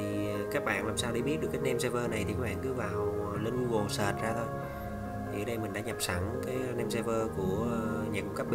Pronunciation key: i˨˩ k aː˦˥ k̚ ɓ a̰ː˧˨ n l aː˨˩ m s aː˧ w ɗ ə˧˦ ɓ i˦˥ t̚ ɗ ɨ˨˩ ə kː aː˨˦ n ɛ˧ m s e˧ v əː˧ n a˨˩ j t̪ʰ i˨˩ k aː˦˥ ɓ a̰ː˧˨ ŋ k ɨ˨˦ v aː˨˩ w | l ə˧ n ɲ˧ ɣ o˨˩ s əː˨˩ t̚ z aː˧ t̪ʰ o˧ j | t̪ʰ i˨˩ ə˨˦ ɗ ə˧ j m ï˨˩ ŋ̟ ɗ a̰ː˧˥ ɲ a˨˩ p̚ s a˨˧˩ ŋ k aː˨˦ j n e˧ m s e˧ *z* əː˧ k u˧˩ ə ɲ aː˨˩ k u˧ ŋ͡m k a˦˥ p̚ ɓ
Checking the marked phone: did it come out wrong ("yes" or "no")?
yes